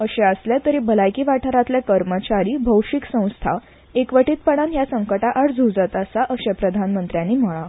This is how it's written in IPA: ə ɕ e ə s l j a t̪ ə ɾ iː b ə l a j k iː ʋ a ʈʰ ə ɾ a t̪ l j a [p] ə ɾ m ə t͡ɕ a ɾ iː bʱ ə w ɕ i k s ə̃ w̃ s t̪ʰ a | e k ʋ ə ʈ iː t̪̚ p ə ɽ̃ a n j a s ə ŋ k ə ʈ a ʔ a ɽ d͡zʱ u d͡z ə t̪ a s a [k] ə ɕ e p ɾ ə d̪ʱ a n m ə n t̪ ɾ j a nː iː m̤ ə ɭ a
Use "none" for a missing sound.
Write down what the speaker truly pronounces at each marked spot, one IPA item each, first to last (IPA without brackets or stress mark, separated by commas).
k, ʔ